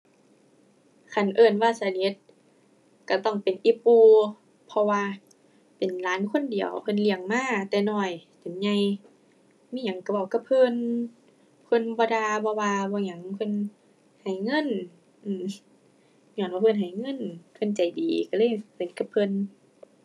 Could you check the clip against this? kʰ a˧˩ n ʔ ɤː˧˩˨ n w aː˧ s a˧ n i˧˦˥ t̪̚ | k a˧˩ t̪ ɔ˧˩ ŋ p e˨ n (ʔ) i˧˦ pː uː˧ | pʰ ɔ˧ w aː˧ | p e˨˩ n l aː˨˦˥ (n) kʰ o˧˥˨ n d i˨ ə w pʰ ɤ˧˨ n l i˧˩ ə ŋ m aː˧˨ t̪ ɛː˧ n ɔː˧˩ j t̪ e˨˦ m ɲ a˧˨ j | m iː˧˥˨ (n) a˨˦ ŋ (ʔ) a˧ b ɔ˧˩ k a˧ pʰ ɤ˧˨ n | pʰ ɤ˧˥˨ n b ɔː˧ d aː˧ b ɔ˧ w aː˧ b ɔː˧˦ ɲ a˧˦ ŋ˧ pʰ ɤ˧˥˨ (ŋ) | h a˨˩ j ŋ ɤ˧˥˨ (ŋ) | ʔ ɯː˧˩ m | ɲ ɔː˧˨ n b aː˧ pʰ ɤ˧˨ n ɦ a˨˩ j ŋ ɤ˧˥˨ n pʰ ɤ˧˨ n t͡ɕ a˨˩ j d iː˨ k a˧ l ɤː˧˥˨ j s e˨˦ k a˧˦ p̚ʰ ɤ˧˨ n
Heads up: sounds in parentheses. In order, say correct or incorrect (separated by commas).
correct, correct, incorrect, incorrect, incorrect, incorrect